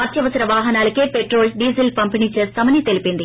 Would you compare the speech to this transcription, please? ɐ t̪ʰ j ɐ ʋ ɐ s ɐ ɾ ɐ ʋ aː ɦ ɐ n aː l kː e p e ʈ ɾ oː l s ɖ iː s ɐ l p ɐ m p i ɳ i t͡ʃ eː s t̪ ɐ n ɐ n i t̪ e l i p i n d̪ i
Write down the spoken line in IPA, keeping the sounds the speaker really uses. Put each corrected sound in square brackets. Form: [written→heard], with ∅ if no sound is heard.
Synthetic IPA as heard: ɐ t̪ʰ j ɐ ʋ ɐ s ɐ ɾ ɐ ʋ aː ɦ ɐ n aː l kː e p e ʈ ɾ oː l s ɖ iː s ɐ l p ɐ m p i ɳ i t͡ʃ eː s t̪ ɐ [n→m] ɐ n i t̪ e l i p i n d̪ i